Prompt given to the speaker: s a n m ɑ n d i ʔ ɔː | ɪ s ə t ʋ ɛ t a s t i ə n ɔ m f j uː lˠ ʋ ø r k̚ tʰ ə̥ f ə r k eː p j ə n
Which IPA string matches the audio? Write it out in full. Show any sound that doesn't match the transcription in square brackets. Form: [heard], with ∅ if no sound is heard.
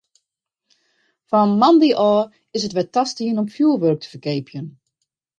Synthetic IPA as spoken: [f] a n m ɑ n d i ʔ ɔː | ɪ s ə t ʋ ɛ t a s t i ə n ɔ m f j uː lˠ ʋ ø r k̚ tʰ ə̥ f ə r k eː p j ə n